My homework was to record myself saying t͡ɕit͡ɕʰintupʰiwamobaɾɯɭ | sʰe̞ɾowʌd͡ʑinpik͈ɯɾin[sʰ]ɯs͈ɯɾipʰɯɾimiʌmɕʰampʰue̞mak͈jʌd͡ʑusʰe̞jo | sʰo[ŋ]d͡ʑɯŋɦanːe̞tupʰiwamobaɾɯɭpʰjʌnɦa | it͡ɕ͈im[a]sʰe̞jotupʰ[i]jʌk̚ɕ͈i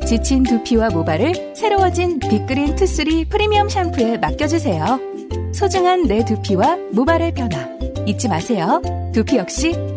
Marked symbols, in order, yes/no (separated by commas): no, no, yes, yes